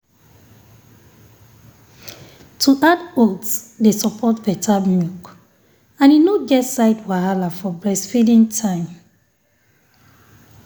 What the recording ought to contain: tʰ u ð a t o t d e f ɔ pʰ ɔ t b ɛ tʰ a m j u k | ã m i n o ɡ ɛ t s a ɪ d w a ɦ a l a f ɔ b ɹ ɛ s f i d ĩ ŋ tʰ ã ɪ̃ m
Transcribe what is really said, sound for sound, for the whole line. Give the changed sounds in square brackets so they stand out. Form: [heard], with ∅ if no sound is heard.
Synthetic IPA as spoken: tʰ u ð a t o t d e [s] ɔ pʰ ɔ t b ɛ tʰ a m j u k | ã [n] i n o ɡ ɛ t s a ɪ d w a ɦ a l a f ɔ b ɹ ɛ s f i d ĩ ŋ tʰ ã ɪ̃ m